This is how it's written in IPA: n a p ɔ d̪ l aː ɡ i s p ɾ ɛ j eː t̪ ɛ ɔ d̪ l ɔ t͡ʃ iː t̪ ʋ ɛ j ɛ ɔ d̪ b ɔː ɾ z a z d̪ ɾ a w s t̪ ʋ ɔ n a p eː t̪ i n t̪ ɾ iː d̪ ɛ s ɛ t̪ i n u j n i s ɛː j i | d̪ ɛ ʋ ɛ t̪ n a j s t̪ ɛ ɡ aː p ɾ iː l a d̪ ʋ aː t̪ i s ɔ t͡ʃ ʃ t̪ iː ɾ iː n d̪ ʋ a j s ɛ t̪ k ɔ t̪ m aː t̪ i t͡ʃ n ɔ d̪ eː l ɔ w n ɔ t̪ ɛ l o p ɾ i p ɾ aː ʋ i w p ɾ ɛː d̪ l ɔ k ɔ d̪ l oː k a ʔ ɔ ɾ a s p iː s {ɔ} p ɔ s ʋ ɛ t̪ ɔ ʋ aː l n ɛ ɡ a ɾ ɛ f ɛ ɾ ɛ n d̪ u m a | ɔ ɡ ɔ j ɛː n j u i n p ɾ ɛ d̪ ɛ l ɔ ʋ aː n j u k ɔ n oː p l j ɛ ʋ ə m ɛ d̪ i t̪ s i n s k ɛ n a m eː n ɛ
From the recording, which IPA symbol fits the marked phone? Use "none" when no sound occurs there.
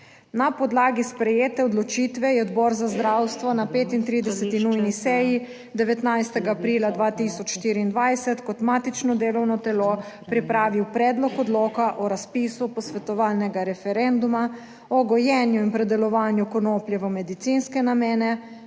u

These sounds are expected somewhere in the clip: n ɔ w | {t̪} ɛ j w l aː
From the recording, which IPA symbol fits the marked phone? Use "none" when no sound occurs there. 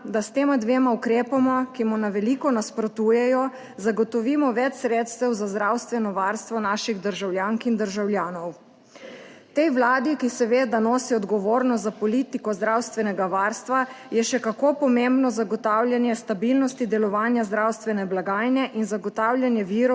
t̪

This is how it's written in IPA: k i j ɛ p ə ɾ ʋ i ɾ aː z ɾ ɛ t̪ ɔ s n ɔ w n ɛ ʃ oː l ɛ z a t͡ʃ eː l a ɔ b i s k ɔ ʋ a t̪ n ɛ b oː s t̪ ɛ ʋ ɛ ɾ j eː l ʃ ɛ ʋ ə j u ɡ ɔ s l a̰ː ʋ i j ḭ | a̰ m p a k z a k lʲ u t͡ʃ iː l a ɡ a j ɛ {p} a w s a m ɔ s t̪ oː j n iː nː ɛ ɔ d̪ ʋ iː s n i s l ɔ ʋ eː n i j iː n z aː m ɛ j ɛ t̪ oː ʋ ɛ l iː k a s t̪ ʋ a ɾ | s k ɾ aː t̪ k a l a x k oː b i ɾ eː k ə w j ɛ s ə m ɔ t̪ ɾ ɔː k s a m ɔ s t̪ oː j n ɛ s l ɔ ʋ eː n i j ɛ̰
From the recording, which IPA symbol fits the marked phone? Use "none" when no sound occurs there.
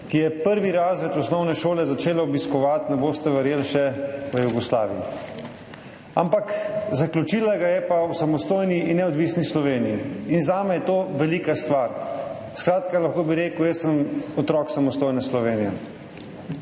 p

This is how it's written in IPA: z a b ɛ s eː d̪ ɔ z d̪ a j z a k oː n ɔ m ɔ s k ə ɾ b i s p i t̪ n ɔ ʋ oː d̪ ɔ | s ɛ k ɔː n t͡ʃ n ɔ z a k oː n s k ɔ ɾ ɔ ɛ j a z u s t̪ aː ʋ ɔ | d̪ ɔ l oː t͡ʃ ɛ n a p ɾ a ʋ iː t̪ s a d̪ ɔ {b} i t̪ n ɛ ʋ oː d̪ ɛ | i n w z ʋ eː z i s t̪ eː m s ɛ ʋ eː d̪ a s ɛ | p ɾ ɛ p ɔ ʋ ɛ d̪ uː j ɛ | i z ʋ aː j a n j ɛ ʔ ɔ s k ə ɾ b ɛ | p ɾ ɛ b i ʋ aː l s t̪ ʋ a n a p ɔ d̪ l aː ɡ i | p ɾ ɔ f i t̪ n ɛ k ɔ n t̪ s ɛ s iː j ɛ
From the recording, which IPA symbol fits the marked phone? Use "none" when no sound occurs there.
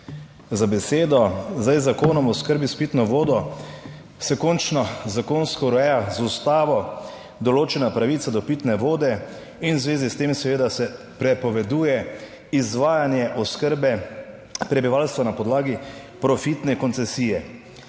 p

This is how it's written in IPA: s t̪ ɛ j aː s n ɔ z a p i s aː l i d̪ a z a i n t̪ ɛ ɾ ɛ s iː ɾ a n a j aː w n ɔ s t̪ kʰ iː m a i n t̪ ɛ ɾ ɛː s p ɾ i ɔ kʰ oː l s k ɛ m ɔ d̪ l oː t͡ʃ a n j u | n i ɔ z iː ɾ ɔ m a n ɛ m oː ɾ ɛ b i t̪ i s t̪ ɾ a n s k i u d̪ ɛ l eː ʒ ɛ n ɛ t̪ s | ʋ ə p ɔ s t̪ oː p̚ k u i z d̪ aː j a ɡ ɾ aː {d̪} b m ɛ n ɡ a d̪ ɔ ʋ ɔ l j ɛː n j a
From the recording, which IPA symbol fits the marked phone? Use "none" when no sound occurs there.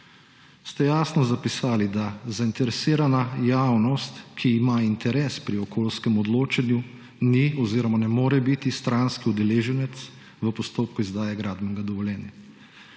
d̪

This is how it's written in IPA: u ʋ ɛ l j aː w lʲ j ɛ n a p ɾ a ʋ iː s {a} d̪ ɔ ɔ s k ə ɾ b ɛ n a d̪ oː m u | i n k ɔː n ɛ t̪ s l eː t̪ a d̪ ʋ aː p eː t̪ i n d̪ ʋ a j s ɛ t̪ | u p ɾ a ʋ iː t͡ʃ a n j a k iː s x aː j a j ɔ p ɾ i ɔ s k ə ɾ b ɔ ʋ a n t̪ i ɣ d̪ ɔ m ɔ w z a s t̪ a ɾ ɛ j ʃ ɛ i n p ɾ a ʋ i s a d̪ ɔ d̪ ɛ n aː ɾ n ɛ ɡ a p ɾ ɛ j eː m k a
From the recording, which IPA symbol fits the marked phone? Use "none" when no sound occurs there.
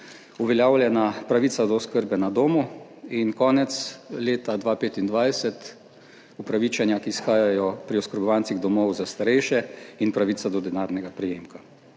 a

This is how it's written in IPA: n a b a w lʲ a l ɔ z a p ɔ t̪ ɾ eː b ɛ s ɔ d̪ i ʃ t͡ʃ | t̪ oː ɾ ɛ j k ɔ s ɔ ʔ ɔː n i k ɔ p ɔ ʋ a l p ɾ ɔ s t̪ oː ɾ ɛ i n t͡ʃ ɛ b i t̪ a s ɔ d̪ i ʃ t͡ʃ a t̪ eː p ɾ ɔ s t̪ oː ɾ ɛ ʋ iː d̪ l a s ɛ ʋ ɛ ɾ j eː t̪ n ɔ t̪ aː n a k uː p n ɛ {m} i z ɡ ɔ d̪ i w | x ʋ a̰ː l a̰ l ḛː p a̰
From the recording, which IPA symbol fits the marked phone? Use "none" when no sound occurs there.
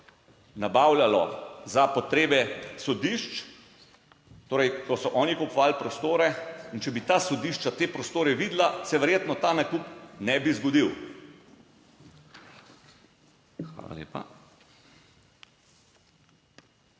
b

